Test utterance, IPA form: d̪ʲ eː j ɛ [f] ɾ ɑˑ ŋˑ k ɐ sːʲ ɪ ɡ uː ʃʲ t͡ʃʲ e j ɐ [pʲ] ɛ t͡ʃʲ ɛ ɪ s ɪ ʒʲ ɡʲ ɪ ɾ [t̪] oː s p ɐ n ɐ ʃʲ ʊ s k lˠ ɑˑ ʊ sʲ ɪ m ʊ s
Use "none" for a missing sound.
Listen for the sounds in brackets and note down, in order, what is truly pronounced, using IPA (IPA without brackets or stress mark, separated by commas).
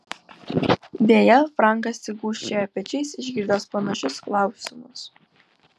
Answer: f, pʲ, d̪